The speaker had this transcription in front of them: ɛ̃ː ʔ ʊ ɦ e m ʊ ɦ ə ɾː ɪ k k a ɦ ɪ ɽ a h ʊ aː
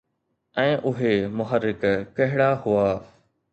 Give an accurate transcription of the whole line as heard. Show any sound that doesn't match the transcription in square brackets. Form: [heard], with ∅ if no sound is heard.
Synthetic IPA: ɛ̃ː ʔ ʊ ɦ e m ʊ ɦ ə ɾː ɪ k k [ɐ] ɦ ɪ ɽ a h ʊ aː

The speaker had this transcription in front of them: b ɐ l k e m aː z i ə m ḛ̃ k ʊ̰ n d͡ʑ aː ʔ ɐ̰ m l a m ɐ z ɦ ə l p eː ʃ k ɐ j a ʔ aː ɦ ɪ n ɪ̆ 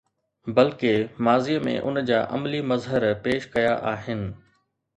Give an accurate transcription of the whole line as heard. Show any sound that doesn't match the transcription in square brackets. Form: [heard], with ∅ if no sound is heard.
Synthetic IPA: b ɐ l k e m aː z i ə m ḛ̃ [ʔ] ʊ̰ n d͡ʑ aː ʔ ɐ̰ m l [i] m ɐ z ɦ ə [ɾ] p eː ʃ k ɐ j a ʔ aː ɦ ɪ n ɪ̆

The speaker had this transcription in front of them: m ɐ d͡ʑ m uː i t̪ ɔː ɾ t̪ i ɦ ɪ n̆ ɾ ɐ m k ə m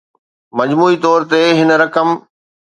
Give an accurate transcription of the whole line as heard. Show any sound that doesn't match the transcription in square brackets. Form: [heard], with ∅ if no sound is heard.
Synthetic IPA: m ɐ d͡ʑ m uː i t̪ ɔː ɾ t̪ [e] ɦ ɪ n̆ ɾ ɐ [∅] k ə m

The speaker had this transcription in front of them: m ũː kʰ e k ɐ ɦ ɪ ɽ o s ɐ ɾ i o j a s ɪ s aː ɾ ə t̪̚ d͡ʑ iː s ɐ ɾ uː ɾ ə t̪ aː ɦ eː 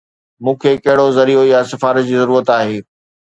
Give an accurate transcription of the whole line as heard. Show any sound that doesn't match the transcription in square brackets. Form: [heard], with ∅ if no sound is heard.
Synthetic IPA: m ũː kʰ e k ɐ ɦ ɪ ɽ o [z] ɐ ɾ i o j a s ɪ [f] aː ɾ ə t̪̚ d͡ʑ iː [z] ɐ ɾ uː ɾ ə t̪ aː ɦ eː

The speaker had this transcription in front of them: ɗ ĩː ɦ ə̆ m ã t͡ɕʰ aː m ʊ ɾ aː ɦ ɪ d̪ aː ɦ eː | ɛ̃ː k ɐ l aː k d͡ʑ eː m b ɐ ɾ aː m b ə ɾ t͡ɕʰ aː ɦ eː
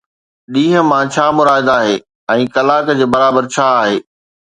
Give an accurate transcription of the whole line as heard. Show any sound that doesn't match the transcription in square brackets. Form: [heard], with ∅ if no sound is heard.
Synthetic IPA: ɗ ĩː ɦ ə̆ m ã t͡ɕʰ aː m ʊ ɾ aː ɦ ɪ d̪ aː ɦ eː | ɛ̃ː k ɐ l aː k d͡ʑ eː [∅] b ɐ ɾ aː [∅] b ə ɾ t͡ɕʰ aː ɦ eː

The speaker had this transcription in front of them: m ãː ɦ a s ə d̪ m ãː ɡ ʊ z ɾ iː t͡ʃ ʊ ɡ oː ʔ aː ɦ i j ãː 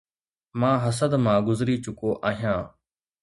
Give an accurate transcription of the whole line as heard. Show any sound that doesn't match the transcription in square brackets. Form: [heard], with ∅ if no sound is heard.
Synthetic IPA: m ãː ɦ [ə] s ə d̪ m ãː ɡ ʊ z ɾ iː t͡ʃ ʊ [k] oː ʔ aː ɦ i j ãː

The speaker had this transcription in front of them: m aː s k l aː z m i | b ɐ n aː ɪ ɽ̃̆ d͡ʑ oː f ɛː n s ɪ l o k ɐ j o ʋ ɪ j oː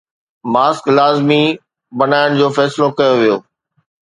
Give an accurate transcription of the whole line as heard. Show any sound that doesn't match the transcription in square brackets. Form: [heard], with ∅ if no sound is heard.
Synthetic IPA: m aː s k l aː z m i | b ɐ n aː ɪ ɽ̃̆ d͡ʑ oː f ɛː [∅] s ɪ l o k ɐ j o ʋ [i] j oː

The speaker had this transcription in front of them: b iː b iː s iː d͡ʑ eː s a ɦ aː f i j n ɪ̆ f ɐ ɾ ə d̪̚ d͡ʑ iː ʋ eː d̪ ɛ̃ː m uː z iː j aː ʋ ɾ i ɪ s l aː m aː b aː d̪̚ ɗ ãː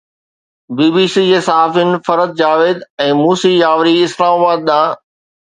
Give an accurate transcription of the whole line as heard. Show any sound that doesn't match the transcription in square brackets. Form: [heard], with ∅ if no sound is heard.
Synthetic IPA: b iː b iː s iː d͡ʑ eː s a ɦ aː f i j n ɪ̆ f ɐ ɾ ə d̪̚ d͡ʑ [aː] ʋ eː d̪ ɛ̃ː m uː [s] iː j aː ʋ ɾ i ɪ s l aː m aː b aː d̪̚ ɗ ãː

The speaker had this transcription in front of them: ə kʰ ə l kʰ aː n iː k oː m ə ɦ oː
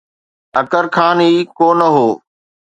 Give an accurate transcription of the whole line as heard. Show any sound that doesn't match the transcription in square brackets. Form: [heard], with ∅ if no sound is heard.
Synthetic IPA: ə [k] ə [ɾ] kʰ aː n iː k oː [n] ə ɦ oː

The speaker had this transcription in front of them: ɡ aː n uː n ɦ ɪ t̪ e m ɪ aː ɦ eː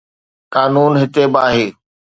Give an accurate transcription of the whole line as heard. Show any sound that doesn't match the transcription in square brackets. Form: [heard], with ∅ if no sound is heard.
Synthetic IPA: [k] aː n uː n ɦ ɪ t̪ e [b] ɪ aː ɦ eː

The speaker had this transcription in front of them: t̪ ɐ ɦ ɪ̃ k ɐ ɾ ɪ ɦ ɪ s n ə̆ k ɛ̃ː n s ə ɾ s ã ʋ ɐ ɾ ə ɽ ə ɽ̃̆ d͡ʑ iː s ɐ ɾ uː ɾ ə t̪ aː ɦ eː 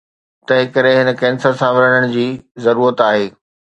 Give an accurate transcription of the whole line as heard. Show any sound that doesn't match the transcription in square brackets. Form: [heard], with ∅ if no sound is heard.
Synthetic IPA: t̪ ɐ ɦ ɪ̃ k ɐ ɾ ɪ ɦ ɪ [∅] n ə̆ k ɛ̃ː n s ə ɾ s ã ʋ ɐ ɾ ə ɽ ə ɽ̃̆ d͡ʑ iː [z] ɐ ɾ uː ɾ ə t̪ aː ɦ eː

